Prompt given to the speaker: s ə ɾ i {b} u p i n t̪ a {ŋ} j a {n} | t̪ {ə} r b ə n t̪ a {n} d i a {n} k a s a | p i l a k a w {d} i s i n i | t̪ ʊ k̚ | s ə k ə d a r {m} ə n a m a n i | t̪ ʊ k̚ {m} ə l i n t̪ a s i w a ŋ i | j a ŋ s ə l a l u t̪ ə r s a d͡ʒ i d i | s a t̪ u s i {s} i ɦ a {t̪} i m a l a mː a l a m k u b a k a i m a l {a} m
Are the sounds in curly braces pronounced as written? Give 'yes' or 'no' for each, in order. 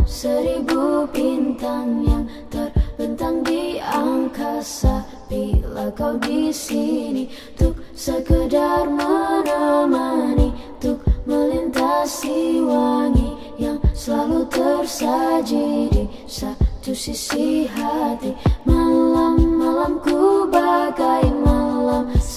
yes, yes, no, yes, no, no, yes, yes, yes, yes, yes, yes

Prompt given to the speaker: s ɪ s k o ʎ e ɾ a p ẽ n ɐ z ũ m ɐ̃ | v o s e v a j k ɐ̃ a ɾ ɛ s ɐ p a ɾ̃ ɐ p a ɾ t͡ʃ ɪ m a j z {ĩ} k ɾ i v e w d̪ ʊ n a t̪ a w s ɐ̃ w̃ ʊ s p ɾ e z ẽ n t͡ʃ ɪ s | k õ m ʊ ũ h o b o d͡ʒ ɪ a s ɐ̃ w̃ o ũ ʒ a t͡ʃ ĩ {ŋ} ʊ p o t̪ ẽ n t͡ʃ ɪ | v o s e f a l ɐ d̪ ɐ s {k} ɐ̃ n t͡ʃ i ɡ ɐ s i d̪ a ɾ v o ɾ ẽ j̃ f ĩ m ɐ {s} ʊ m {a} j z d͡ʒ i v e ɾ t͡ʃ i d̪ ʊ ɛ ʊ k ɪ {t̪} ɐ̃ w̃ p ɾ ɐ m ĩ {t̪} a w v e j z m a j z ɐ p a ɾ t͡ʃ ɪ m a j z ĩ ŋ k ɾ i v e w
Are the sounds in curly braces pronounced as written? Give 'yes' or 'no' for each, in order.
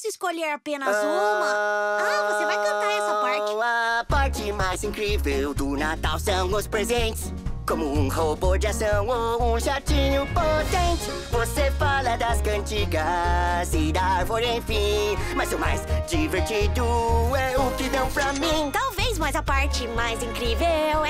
yes, no, yes, no, yes, no, yes

